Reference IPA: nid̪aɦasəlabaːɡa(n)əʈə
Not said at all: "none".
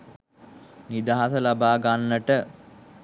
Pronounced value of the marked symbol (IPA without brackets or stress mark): nː